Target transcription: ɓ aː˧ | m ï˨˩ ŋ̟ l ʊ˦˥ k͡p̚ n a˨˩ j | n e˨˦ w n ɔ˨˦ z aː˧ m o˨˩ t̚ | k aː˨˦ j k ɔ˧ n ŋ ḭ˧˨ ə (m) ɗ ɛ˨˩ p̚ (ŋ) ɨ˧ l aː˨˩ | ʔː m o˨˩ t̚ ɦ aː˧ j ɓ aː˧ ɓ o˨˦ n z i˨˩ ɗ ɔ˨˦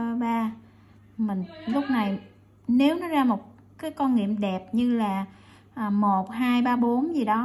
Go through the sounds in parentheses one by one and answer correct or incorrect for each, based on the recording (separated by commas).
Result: correct, incorrect